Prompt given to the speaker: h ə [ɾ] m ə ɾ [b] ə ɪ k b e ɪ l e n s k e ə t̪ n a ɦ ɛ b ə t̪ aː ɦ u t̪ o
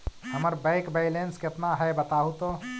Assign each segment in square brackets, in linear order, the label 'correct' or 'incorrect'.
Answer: incorrect: none, correct

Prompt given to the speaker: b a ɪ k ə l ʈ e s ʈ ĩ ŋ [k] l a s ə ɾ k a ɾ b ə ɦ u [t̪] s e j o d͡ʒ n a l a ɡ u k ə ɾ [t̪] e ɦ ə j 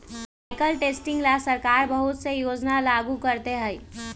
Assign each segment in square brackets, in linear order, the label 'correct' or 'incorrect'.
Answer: incorrect: ɡ, correct, correct

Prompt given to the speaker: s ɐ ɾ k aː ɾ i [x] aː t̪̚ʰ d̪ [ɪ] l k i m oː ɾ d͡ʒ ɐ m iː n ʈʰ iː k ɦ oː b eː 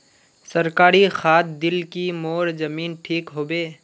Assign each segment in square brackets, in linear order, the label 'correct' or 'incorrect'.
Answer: correct, correct

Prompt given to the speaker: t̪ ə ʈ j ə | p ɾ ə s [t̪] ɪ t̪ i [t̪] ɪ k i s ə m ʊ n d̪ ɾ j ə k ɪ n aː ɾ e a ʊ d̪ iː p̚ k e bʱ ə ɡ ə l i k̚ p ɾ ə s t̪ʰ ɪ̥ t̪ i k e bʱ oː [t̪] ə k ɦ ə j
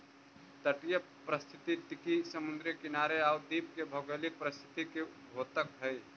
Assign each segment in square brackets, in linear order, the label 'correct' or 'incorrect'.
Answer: incorrect: t̪ʰ, correct, correct

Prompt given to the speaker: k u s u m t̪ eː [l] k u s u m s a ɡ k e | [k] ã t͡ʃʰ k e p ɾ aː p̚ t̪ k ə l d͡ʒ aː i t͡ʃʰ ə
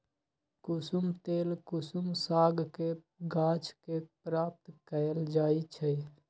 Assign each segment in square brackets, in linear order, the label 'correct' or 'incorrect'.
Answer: correct, incorrect: ɡ

